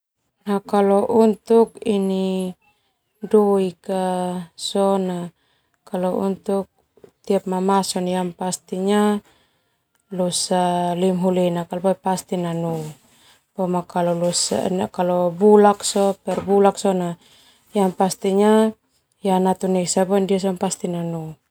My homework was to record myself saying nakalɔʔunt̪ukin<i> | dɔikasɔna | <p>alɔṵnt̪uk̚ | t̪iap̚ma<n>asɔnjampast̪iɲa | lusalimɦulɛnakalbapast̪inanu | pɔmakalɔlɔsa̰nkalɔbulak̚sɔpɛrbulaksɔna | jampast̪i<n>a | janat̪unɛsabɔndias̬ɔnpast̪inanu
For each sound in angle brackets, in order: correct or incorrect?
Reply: correct, incorrect: k, incorrect: m, incorrect: ɲ

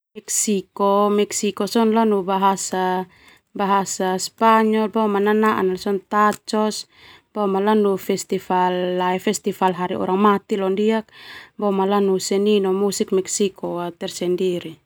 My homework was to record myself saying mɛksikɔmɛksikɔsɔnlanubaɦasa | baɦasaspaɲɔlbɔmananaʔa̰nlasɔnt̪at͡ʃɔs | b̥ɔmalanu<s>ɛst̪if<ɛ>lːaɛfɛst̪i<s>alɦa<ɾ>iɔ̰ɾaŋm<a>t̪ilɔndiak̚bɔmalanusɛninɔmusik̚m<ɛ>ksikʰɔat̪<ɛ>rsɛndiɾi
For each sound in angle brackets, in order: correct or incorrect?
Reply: incorrect: f, incorrect: a, incorrect: f, correct, correct, correct, correct

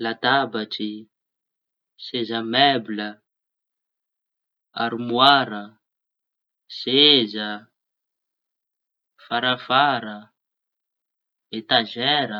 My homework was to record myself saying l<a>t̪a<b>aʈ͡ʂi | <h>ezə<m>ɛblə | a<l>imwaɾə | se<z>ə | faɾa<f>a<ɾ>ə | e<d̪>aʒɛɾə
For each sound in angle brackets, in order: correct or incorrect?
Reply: correct, correct, incorrect: s, correct, incorrect: ɾ, correct, correct, correct, incorrect: t̪

